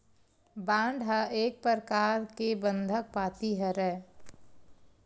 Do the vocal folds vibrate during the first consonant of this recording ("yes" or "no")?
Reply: yes